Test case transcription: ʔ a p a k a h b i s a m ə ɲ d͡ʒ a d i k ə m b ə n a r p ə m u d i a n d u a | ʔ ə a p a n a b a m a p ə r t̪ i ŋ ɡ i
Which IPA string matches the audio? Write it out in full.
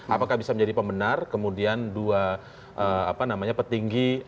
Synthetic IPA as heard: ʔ a p a k a h b i s a m ə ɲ d͡ʒ a d i p ə m b ə n a r k ə m u d i a n d u a | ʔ ə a p a n a m a ɲ a p ə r t̪ i ŋ ɡ i